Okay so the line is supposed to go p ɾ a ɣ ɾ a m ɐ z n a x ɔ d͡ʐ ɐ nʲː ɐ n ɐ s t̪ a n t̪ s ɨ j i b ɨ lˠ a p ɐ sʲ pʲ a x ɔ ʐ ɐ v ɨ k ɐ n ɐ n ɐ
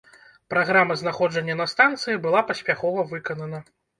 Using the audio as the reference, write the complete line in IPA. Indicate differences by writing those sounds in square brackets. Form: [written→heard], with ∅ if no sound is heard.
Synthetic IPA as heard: p ɾ a ɣ ɾ a m ɐ z n a x ɔ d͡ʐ ɐ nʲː ɐ n ɐ s t̪ a n t̪ s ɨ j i b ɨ lˠ a p ɐ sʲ pʲ a x ɔ [ʐ→v] ɐ v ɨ k ɐ n ɐ n ɐ